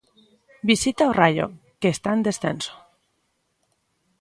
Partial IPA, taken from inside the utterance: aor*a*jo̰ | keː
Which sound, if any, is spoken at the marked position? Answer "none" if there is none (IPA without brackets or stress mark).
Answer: a